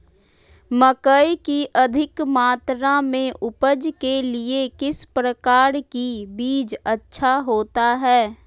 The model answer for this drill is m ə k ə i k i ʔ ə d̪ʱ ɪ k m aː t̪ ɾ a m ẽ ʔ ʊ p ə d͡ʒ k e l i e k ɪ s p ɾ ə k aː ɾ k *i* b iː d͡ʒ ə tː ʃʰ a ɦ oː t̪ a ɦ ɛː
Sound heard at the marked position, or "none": i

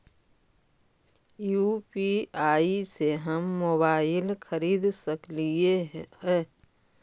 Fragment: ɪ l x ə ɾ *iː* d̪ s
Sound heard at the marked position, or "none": iː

